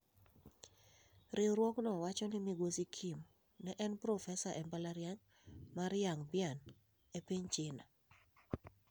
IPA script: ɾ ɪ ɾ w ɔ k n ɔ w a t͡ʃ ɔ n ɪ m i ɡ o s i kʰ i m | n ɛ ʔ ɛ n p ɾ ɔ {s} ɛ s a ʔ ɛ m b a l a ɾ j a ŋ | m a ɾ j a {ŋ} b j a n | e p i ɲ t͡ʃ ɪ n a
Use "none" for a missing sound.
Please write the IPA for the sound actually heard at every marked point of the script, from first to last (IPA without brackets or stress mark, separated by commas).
f, ŋ